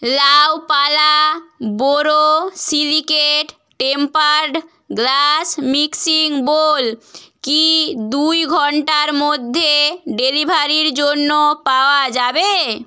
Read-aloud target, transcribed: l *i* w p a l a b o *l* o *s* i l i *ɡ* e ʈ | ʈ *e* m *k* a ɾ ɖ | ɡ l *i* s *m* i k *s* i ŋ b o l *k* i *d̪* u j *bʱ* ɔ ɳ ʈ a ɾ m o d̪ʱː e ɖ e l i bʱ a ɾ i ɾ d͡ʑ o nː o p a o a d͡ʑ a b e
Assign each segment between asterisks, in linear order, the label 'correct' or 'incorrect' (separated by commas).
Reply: incorrect, incorrect, correct, incorrect, correct, incorrect, incorrect, correct, correct, correct, correct, incorrect